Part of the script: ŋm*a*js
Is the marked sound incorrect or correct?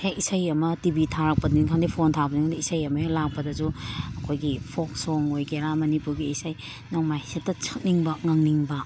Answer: correct